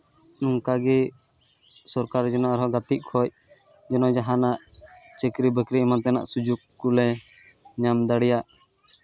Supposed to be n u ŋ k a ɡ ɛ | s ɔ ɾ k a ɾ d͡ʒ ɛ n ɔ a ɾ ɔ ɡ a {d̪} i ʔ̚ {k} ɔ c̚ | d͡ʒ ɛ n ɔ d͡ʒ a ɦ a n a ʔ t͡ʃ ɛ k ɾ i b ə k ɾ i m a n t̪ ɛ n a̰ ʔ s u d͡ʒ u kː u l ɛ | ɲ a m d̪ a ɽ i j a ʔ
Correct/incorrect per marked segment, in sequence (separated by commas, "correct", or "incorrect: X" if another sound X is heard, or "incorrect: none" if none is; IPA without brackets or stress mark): incorrect: t̪, incorrect: kʰ